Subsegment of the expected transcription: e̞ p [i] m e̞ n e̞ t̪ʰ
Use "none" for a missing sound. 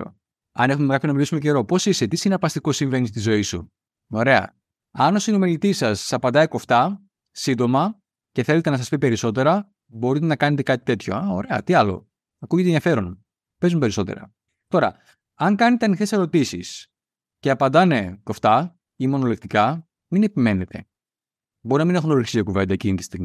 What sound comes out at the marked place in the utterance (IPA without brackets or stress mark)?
i